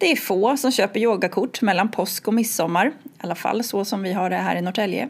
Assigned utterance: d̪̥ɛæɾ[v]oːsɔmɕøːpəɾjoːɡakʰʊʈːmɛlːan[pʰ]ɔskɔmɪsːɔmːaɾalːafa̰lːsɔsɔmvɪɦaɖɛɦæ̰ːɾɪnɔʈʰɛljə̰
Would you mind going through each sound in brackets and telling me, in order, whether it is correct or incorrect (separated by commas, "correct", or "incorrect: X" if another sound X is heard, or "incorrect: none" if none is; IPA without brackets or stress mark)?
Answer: incorrect: f, correct